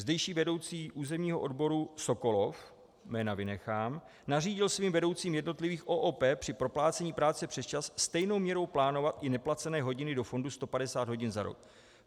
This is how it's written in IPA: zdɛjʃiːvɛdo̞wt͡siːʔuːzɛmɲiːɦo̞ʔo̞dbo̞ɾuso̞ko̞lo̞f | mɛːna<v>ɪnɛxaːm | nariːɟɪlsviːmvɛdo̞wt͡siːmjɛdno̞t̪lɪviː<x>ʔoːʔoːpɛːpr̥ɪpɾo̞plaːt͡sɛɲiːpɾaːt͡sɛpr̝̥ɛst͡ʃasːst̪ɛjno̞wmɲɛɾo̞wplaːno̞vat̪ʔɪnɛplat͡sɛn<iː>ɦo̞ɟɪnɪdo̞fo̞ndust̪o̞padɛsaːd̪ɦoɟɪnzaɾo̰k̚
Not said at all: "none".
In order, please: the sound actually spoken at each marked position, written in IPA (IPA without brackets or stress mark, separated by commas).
v, x, ɛː